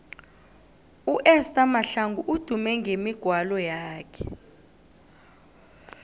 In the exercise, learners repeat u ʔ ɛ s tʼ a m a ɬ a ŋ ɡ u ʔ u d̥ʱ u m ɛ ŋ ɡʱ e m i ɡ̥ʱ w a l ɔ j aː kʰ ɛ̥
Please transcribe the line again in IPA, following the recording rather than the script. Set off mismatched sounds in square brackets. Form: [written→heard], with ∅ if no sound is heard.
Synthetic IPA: u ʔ ɛ s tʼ a m a ɬ a ŋ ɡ u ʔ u d̥ʱ u m ɛ ŋ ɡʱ e m i ɡ̥ʱ w a l ɔ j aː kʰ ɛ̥